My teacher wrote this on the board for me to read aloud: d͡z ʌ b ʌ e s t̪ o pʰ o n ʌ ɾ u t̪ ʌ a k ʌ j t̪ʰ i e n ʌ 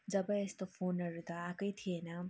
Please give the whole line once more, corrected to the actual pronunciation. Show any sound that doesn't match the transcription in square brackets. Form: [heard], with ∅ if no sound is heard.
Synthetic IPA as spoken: d͡z ʌ b ʌ e s t̪ o pʰ o n ʌ ɾ u t̪ ʌ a k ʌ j t̪ʰ i e n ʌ